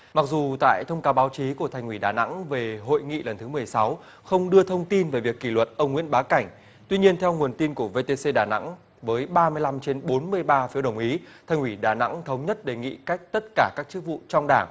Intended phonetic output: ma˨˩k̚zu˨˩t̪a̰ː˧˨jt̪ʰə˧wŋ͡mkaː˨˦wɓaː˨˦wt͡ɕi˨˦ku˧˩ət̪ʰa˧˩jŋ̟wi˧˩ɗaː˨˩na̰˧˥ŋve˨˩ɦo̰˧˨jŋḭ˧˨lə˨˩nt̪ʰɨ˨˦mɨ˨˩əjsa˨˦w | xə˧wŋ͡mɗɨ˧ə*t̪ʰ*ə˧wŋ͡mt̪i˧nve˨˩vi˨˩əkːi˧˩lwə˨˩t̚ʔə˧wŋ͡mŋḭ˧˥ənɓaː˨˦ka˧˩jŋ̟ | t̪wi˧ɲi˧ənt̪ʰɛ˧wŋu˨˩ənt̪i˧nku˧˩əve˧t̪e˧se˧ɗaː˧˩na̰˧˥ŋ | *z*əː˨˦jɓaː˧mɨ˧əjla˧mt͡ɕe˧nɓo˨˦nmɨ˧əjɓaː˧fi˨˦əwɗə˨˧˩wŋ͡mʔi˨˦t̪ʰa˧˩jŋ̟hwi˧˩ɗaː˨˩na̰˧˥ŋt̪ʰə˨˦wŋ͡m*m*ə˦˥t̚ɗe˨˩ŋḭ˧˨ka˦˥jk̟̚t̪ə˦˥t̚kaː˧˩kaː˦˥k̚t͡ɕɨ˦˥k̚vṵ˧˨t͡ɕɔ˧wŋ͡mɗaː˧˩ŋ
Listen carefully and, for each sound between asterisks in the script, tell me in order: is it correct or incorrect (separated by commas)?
correct, incorrect, incorrect